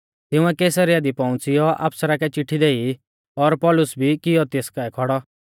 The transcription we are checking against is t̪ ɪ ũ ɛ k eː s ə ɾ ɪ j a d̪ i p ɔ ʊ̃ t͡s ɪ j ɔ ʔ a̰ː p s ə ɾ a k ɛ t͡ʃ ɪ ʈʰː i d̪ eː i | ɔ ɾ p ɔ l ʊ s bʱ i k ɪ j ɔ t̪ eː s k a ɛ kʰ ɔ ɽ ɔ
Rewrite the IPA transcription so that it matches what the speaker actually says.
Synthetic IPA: t̪ ɪ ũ ɛ k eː s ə ɾ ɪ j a d̪ i p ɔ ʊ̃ t͡s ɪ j ɔ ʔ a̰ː p s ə ɾ a k ɛ t͡ʃ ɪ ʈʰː i d̪ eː i | ɔ ɾ p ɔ l ʊ s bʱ i k ɪ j ɔ t̪ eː s k a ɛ kʰ ɔ ɽ ɔ